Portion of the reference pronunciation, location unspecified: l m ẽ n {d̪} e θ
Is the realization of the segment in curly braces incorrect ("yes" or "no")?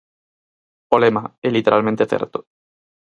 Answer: yes